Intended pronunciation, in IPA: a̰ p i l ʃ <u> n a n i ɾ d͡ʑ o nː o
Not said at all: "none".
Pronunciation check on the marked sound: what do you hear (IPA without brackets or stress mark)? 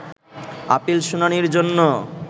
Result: u